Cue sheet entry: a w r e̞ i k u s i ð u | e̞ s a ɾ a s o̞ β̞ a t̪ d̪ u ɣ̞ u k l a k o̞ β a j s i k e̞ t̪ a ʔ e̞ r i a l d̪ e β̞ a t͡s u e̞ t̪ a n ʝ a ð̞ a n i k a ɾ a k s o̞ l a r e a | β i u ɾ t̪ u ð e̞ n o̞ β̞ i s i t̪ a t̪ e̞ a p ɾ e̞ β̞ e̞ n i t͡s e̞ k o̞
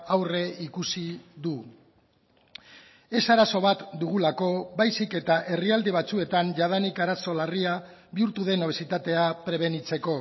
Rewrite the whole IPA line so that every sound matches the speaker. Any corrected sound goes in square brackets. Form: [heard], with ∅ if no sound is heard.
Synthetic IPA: a w r e̞ i k u s i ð u | e̞ s a ɾ a s o̞ β̞ a t̪ d̪ u ɣ̞ u [∅] l a k o̞ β a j s i k e̞ t̪ a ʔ e̞ r i a l d̪ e β̞ a t͡s u e̞ t̪ a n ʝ a ð̞ a n i k a ɾ a [∅] s o̞ l a r [i] a | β i u ɾ t̪ u ð e̞ n o̞ β̞ [e] s i t̪ a t̪ e̞ a p ɾ e̞ β̞ e̞ n i t͡s e̞ k o̞